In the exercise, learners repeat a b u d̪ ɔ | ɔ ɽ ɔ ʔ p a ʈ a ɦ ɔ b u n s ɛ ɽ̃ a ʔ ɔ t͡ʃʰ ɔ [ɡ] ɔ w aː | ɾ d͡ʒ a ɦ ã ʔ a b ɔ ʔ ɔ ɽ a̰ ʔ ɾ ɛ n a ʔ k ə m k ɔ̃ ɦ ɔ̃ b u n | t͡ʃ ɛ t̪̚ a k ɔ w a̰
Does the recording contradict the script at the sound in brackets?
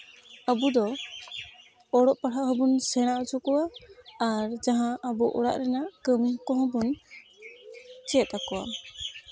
yes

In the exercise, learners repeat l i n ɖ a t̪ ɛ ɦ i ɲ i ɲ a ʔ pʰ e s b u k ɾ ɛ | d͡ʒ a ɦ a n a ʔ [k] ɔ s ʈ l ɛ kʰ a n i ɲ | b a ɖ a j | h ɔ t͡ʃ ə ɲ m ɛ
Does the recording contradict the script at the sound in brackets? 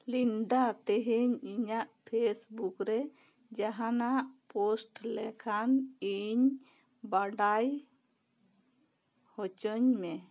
yes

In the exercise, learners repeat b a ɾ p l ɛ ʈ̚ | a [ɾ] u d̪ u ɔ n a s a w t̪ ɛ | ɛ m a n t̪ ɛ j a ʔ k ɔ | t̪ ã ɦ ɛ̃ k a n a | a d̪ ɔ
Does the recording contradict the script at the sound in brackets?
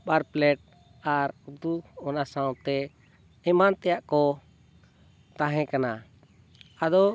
no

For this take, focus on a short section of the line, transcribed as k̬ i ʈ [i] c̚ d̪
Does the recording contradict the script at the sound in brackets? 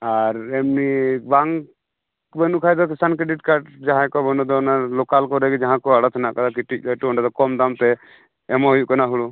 no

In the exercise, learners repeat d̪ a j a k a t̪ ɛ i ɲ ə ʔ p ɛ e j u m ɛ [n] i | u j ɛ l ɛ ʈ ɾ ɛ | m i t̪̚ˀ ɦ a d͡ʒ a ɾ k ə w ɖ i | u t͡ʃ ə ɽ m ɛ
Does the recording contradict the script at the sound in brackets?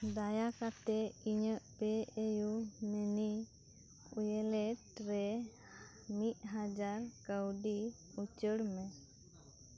no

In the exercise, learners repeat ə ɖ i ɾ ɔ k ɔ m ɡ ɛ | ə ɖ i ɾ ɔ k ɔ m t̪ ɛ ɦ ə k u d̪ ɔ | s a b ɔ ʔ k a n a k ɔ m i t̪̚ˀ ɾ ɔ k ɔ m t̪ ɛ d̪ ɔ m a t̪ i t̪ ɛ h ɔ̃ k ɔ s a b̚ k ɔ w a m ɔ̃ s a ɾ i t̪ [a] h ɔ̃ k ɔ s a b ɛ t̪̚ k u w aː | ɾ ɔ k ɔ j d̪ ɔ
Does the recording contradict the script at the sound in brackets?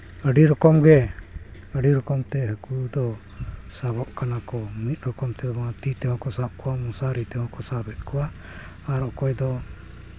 yes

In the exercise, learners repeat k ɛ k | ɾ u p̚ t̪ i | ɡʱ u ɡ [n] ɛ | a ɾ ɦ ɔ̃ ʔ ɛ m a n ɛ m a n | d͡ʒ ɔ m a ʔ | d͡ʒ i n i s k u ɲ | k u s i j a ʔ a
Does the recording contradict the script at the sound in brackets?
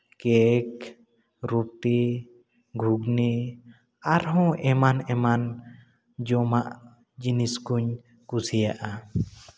no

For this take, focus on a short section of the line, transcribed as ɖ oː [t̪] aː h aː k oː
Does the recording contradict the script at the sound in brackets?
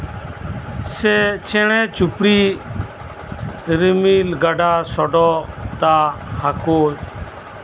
no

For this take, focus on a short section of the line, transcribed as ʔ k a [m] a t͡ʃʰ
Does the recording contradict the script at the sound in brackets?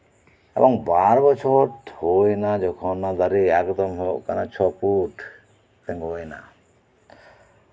yes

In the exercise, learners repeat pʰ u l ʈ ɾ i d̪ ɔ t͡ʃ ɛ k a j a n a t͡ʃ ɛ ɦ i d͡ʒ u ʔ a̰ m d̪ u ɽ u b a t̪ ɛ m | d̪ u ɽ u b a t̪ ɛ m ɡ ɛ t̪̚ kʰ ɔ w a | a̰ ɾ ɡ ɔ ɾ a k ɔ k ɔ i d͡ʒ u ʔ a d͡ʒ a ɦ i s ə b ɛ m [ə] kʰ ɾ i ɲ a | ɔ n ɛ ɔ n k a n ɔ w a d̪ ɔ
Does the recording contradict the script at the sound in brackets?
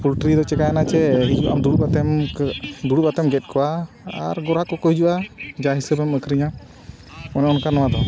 no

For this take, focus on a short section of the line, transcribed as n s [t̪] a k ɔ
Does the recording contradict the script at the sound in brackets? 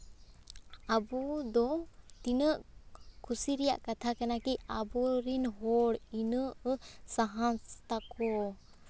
no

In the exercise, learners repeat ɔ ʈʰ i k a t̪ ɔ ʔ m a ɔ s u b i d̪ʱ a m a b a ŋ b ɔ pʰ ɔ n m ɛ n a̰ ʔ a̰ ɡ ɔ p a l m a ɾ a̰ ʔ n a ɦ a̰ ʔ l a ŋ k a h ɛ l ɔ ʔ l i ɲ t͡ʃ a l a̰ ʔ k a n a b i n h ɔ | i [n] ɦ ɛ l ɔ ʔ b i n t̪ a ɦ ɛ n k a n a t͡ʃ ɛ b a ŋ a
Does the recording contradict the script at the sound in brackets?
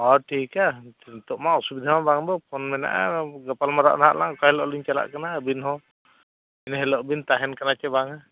no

